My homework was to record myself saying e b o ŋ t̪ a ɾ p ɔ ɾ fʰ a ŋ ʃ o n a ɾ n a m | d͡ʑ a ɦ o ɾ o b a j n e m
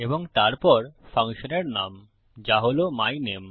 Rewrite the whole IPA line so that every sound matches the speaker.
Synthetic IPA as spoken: e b o ŋ t̪ a ɾ p ɔ ɾ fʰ a ŋ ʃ o n e ɾ n a m | d͡ʑ a ɦ o l o m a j n e m